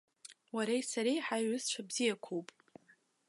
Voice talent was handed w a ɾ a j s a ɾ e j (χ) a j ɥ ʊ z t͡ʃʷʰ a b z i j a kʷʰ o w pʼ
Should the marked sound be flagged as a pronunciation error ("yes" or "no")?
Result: yes